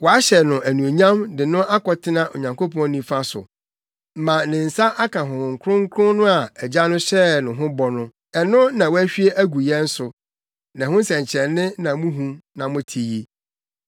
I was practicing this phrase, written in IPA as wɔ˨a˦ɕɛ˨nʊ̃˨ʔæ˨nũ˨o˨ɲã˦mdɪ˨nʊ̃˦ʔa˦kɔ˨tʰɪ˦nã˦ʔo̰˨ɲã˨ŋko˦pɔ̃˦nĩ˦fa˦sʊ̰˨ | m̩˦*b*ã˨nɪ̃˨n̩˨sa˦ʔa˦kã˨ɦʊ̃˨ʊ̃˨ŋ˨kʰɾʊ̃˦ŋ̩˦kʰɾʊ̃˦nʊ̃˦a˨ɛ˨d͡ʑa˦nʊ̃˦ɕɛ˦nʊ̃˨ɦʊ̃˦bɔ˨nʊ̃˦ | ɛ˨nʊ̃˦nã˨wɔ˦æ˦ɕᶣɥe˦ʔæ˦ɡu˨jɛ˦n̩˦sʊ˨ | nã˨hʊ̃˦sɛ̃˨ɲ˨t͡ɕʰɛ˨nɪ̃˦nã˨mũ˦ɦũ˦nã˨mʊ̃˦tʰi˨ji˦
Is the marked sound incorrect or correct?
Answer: incorrect: m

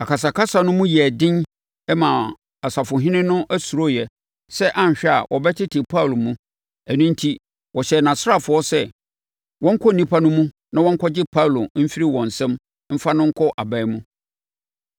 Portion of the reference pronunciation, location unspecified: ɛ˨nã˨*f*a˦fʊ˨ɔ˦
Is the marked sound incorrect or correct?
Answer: incorrect: s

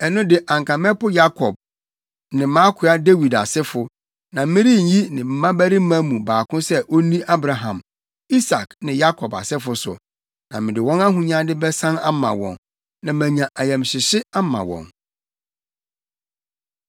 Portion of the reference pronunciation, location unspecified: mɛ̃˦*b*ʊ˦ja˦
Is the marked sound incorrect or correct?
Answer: incorrect: p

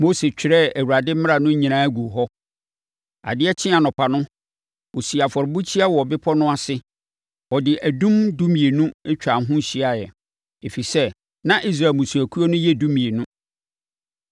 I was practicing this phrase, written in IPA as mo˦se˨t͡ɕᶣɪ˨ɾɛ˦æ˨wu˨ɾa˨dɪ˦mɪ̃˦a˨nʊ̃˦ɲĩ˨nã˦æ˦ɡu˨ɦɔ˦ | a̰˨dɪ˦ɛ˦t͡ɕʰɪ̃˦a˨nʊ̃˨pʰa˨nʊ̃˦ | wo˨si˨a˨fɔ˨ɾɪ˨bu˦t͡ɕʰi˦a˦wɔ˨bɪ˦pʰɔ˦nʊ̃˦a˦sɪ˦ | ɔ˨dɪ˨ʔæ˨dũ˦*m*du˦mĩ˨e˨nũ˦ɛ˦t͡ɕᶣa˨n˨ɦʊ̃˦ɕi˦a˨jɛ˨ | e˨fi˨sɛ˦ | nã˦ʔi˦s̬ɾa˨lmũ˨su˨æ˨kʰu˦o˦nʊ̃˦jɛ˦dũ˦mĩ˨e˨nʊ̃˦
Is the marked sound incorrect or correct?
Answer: correct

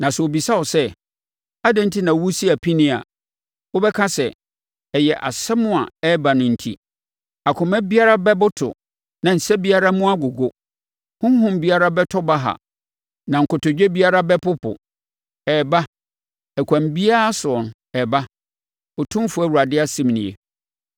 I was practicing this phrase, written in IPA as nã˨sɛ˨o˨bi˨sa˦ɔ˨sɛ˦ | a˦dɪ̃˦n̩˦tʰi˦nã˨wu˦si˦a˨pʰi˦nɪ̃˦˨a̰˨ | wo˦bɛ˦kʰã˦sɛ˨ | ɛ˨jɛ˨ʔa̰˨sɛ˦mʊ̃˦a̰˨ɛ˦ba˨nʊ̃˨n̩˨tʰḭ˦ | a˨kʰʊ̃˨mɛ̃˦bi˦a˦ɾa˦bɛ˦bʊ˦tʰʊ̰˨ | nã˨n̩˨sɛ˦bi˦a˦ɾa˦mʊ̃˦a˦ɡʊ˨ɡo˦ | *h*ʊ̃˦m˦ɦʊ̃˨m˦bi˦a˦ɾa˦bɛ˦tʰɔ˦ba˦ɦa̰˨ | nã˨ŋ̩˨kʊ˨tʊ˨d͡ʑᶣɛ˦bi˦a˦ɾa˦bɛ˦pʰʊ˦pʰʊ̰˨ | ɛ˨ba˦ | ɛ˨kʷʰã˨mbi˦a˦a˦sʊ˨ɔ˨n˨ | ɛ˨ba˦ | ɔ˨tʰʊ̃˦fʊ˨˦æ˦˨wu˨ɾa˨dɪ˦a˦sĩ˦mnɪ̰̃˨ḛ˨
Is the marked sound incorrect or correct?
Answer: correct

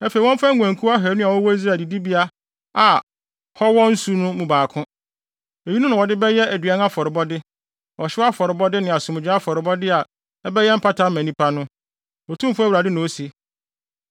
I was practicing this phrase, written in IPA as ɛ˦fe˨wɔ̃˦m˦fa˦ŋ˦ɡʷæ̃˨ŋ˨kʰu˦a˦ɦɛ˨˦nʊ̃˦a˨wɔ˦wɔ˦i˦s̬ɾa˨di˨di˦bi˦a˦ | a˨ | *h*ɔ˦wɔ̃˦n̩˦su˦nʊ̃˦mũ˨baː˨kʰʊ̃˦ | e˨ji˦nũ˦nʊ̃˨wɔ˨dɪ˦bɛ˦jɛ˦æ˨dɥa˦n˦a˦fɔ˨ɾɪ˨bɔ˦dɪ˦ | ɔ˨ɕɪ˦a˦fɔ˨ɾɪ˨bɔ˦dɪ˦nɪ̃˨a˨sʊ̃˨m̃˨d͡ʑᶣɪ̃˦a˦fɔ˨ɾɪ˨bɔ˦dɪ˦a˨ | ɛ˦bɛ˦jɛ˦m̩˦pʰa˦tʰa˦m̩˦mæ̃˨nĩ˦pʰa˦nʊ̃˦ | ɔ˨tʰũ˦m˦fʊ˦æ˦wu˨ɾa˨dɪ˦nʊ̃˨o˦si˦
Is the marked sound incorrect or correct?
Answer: correct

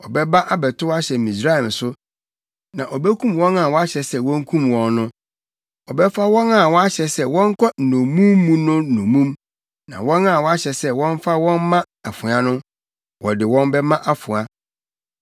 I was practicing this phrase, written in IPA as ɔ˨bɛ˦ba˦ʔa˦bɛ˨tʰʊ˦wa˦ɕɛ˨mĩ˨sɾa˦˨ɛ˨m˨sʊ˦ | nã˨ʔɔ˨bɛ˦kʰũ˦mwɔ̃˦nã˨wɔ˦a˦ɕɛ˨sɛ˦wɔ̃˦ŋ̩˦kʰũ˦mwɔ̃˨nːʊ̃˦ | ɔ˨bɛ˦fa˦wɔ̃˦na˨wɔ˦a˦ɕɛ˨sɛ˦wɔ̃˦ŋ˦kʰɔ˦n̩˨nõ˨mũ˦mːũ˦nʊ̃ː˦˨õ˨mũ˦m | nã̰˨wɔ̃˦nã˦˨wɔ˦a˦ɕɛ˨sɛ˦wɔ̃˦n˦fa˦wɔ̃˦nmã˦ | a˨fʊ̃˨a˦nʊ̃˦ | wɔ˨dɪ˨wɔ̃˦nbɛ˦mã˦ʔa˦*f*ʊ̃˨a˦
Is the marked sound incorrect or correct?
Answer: correct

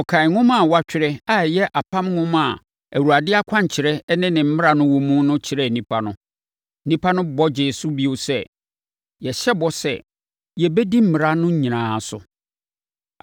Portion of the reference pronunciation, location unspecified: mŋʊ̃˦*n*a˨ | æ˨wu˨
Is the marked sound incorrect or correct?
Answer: incorrect: m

